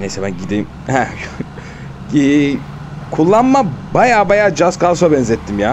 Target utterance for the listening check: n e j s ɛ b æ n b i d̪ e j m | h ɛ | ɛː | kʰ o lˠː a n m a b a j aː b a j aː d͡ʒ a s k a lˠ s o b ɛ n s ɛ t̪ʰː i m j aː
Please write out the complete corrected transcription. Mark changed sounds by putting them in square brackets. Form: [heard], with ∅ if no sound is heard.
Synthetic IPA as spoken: n e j s ɛ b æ n [ɟ] i d̪ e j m | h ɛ | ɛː | kʰ [u] lˠː a n m a b a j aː b a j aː d͡ʒ a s k a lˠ s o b ɛ n [z] ɛ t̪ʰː i m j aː